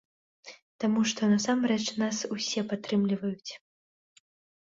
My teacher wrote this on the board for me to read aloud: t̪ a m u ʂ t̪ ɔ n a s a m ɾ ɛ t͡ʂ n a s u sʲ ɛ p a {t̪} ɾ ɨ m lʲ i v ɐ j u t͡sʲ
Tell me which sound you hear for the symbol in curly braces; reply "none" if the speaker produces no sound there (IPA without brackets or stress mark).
t̪